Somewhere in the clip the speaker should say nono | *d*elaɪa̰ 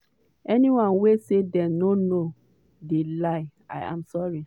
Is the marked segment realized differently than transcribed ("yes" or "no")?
no